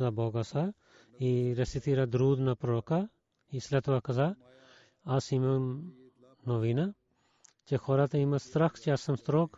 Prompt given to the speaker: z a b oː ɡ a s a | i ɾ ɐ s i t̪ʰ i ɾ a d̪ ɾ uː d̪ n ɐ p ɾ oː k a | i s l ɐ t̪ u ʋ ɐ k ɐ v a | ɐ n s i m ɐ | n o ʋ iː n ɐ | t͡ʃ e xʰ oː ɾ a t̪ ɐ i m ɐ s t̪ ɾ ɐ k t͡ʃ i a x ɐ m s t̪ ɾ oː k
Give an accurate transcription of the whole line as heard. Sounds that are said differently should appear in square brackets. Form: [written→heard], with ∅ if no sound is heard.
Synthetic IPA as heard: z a b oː ɡ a s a | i ɾ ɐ s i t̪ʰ i ɾ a d̪ ɾ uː d̪ n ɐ p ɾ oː k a | i s l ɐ t̪ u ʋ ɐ k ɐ [v→z] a | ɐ [n→∅] s i m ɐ | n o ʋ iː n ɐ | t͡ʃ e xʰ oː ɾ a t̪ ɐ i m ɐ s t̪ ɾ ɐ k t͡ʃ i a [x→s] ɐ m s t̪ ɾ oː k